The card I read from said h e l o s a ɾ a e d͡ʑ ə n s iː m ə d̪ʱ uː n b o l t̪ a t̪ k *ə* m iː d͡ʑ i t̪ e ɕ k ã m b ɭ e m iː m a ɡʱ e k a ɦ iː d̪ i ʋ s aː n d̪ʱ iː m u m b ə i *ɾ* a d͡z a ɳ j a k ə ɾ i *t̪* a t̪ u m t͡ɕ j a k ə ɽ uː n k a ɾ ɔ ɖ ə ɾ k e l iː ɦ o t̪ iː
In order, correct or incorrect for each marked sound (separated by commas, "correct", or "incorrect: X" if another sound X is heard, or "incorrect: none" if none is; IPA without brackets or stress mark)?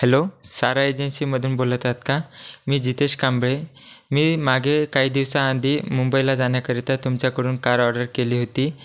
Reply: incorrect: a, incorrect: l, correct